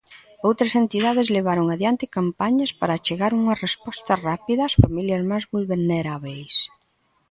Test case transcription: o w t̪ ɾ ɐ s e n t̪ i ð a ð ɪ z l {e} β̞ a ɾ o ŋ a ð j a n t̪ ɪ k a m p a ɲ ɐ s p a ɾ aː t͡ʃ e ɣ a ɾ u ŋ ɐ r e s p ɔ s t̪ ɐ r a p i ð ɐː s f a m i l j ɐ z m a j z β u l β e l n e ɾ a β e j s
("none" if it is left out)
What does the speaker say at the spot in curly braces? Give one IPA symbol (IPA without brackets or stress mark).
e